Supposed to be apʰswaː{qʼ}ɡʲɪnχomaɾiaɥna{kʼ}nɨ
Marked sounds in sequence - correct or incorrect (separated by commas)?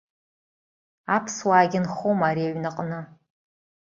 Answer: incorrect, incorrect